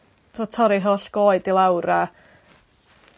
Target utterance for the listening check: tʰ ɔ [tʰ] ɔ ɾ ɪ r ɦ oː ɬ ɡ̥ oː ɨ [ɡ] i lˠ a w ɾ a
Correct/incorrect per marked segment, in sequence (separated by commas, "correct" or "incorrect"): correct, incorrect